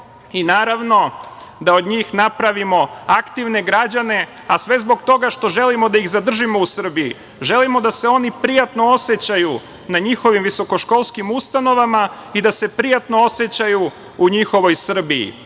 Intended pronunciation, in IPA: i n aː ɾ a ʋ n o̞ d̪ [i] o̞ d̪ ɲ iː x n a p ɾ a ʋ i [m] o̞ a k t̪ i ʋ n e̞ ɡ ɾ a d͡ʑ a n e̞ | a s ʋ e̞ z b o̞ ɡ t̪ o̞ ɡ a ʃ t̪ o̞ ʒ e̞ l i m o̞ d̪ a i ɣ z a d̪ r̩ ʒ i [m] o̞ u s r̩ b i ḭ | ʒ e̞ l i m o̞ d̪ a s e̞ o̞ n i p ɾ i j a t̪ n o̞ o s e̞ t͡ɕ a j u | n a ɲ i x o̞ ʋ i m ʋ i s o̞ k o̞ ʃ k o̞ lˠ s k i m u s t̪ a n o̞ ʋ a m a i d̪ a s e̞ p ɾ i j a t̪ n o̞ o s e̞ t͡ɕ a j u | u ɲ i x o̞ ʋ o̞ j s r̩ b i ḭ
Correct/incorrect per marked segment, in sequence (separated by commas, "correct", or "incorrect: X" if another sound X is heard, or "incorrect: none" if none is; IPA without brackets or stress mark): incorrect: a, correct, correct